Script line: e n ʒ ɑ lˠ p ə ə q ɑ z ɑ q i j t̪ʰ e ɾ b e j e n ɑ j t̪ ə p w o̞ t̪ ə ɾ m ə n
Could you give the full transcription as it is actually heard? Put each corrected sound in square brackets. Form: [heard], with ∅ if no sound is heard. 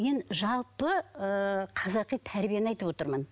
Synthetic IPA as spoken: e n ʒ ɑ lˠ p ə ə [qʰ] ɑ z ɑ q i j t̪ʰ [æ] ɾ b [i] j e n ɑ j t̪ ə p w o̞ t̪ ə ɾ m ə n